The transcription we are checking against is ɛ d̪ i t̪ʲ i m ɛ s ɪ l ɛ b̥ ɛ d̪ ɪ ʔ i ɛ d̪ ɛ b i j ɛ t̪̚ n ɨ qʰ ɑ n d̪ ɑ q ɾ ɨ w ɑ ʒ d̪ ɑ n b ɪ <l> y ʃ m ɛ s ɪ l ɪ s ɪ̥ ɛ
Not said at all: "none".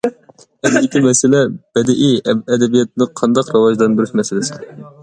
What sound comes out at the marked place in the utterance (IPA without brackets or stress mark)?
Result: ɾ